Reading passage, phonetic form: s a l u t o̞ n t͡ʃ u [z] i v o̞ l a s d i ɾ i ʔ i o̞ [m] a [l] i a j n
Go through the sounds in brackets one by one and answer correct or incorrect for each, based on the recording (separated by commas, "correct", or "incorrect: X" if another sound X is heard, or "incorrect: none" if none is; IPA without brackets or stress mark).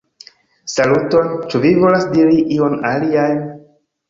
incorrect: v, incorrect: n, correct